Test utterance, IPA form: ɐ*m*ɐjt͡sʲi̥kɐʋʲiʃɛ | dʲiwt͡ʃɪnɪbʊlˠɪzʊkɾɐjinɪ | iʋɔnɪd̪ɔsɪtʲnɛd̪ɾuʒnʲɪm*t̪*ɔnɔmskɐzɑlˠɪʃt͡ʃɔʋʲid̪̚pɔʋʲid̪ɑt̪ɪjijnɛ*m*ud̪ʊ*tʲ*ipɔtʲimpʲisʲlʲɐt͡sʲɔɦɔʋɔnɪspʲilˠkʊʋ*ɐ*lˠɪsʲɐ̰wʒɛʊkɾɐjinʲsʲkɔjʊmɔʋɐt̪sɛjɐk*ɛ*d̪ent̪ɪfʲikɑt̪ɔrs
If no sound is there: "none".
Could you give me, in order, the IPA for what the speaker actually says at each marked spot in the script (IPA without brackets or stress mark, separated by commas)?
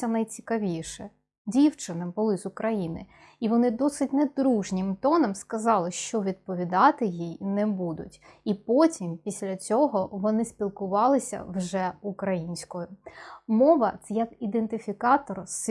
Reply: n, t̪, b, tʲ, ɑ, i